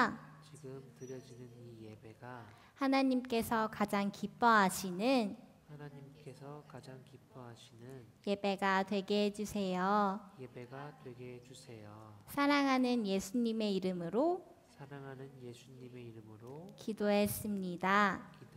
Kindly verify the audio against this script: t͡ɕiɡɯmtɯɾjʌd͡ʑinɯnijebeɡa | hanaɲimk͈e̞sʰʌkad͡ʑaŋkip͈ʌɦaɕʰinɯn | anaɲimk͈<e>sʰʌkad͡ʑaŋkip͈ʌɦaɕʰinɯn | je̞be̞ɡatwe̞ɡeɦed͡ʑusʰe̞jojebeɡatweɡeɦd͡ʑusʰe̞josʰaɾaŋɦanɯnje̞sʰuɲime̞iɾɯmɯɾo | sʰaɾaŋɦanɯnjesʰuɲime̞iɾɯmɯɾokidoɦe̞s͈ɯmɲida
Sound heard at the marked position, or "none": e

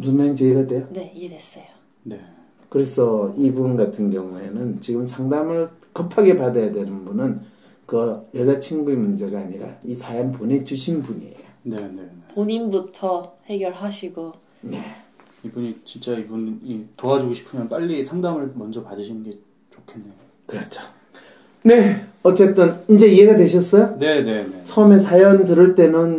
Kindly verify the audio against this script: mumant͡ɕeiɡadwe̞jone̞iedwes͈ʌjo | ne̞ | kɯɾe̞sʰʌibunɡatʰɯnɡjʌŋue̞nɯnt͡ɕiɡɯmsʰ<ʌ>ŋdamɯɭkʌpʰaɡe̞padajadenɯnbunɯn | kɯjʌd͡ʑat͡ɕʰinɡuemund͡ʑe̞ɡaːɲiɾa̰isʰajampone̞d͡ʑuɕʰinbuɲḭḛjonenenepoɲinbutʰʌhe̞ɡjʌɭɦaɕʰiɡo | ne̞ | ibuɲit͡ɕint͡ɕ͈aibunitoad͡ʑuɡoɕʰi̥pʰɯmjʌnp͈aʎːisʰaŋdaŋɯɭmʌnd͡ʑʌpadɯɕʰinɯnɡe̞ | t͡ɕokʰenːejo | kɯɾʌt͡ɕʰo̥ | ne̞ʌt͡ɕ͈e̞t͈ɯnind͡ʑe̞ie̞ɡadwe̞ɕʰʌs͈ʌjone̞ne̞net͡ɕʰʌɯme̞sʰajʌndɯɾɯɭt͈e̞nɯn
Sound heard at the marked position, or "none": a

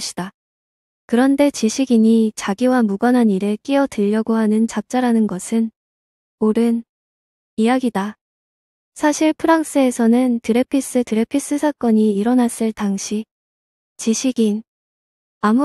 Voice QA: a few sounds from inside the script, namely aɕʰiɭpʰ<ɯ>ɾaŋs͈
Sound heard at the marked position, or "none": ɯ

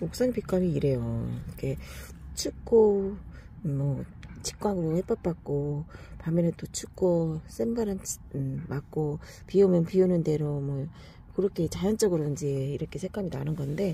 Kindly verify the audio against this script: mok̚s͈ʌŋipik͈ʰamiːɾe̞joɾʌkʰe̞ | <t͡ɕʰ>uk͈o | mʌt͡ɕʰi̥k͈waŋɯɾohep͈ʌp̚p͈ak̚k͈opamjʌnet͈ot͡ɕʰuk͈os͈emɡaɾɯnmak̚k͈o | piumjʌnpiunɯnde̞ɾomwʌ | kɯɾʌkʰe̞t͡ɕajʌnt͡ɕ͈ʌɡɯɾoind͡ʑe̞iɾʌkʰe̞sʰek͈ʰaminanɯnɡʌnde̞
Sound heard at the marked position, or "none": t͡ɕʰ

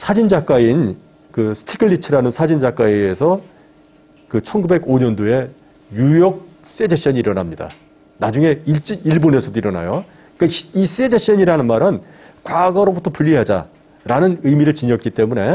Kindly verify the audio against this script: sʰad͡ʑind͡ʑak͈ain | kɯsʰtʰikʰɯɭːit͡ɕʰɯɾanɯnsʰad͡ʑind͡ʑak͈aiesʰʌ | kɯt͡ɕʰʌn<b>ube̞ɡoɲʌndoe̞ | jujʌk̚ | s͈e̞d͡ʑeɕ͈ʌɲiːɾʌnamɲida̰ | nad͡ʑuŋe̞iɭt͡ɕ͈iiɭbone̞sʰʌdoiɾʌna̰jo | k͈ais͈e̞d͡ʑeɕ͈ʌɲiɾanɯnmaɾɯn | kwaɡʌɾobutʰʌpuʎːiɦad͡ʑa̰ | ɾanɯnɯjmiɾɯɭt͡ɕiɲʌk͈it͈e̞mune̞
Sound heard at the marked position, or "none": ɡ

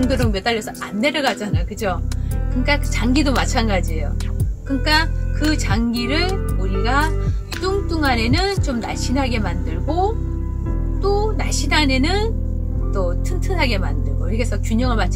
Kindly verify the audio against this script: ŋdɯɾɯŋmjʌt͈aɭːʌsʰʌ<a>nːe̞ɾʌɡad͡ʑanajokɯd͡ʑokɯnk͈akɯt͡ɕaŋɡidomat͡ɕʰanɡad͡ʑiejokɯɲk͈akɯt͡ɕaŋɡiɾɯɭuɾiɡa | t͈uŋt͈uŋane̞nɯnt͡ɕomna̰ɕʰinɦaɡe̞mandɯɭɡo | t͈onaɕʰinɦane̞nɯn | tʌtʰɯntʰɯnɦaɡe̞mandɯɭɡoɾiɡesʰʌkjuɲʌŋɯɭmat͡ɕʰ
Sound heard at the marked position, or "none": a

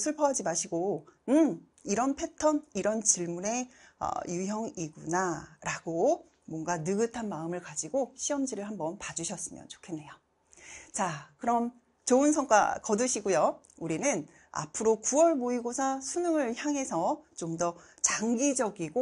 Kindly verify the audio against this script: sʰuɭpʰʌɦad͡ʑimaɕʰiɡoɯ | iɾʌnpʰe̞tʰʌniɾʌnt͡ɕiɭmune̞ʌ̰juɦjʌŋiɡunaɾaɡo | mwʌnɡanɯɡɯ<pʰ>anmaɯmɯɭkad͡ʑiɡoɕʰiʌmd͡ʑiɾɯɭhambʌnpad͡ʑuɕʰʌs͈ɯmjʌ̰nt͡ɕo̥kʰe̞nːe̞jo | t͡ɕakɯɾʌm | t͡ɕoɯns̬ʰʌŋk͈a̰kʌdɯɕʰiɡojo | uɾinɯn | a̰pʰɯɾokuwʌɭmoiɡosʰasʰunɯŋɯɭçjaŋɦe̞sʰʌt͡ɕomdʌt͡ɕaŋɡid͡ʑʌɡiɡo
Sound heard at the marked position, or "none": tʰ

